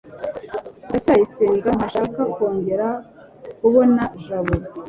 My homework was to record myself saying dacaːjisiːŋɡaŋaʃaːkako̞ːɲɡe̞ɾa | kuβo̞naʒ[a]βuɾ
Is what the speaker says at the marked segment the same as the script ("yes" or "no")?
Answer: yes